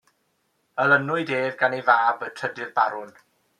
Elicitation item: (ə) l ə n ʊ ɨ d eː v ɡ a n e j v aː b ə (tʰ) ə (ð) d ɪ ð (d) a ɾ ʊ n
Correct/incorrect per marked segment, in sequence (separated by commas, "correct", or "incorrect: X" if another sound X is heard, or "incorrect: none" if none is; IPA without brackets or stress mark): correct, correct, incorrect: none, incorrect: b